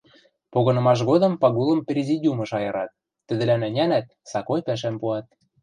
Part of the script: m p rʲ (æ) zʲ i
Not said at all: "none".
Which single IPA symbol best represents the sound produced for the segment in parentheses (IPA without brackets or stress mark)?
e